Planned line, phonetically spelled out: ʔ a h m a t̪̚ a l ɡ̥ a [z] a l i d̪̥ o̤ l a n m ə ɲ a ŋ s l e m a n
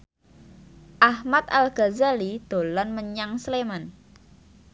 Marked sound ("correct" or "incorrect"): correct